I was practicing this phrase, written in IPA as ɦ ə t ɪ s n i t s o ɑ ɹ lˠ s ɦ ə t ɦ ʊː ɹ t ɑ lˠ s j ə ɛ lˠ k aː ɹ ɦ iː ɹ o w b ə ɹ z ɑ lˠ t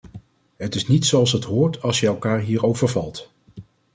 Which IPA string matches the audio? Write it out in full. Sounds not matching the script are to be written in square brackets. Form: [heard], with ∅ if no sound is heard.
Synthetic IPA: ɦ ə t ɪ s n i t s o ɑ [∅] lˠ s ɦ ə t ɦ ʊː ɹ t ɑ lˠ s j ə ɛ lˠ k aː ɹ ɦ iː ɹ o w [v] ə ɹ [v] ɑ lˠ t

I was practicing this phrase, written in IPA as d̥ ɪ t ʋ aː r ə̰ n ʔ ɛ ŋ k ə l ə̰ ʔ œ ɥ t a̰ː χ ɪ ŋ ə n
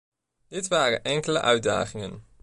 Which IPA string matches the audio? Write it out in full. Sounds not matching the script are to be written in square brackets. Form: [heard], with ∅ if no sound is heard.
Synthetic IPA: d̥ ɪ t ʋ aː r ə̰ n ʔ ɛ ŋ k ə l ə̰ ʔ œ ɥ [d] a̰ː χ ɪ ŋ ə n

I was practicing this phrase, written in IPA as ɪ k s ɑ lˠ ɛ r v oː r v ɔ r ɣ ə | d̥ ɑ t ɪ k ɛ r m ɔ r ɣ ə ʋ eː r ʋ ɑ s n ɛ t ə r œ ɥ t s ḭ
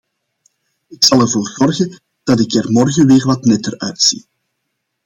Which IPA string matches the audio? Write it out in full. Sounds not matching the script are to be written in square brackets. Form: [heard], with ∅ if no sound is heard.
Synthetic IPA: ɪ k s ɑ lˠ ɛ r v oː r [z] ɔ r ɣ ə | d̥ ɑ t ɪ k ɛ r m ɔ r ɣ ə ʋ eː r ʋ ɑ [t] n ɛ t ə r œ ɥ t s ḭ

